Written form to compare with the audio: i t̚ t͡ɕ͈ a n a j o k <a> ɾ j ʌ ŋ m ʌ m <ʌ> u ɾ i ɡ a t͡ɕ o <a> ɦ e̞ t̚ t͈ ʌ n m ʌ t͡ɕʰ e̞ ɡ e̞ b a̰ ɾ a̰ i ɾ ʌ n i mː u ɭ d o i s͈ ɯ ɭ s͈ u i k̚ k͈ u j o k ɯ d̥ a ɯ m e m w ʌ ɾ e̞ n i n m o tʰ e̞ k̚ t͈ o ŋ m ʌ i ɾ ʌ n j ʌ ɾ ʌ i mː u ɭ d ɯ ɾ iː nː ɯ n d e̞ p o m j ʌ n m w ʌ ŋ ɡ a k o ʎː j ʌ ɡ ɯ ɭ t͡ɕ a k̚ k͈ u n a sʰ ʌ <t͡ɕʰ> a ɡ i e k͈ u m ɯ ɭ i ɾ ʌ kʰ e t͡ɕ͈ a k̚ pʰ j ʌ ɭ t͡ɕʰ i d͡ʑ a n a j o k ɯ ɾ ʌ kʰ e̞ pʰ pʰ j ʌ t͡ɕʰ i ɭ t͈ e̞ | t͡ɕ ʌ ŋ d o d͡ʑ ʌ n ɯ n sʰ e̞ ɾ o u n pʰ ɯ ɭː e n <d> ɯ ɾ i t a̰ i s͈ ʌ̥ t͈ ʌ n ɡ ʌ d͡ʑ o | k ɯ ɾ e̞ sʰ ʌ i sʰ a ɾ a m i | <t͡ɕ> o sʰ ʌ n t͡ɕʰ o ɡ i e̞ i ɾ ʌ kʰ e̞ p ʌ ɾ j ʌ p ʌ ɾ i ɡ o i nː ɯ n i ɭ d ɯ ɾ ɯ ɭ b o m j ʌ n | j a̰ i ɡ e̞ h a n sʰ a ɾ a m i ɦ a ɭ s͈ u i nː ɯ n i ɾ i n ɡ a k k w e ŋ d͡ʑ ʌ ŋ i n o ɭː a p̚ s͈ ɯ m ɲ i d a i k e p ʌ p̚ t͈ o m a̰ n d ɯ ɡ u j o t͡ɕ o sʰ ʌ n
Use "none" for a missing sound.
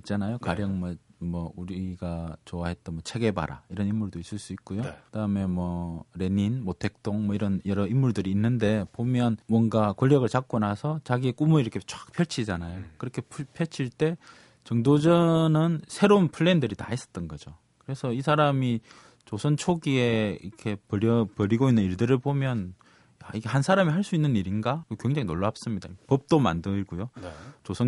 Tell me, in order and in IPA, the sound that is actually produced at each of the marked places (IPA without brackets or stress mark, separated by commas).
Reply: a, ʌ, a, t͡ɕ, d, t͡ɕ